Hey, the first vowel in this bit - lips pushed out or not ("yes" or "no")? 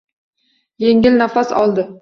no